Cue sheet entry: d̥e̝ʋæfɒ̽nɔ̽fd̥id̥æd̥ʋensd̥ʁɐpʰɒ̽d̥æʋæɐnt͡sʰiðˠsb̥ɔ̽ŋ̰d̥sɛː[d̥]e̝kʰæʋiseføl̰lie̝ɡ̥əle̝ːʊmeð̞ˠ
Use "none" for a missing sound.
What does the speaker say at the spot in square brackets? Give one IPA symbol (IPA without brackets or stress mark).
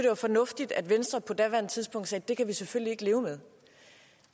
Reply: d̥